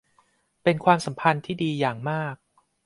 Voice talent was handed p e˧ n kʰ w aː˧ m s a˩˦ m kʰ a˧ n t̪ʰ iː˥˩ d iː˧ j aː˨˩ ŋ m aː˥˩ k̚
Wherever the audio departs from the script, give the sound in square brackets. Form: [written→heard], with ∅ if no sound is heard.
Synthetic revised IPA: p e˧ n kʰ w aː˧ m s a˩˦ m [kʰ→pʰ] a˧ n t̪ʰ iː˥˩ d iː˧ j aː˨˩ ŋ m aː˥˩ k̚